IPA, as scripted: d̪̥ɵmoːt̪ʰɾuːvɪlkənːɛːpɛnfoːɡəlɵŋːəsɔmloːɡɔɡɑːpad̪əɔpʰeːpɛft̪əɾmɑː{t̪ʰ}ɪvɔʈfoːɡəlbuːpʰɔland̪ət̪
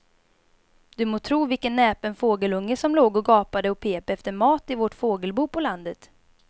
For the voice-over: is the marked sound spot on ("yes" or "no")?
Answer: no